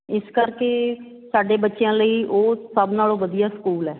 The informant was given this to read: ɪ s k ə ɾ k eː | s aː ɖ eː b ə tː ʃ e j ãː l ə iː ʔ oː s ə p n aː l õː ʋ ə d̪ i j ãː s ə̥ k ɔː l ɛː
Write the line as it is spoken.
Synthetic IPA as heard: ɪ s k ə ɾ k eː | s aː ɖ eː b ə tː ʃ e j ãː l ə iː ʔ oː s ə b n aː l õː ʋ ə d̪ i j aː s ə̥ k uː l ɛː